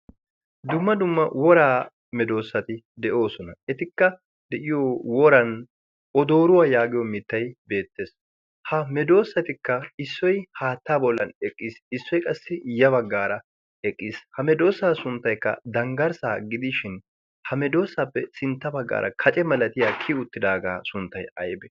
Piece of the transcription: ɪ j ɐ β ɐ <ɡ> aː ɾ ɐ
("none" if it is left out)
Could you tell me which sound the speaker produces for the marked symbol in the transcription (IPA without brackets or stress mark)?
ɡː